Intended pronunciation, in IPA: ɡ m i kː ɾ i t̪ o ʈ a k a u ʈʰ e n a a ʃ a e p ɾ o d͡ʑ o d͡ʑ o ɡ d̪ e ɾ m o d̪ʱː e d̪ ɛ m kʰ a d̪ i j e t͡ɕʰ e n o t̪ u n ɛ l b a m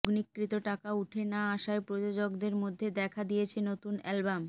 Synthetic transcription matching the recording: ɡ n i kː ɾ i t̪ o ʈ a k a u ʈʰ e n a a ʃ a e p ɾ o d͡ʑ o d͡ʑ o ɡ d̪ e ɾ m o d̪ʱː e d̪ ɛ kʰ a d̪ i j e t͡ɕʰ e n o t̪ u n ɛ l b a m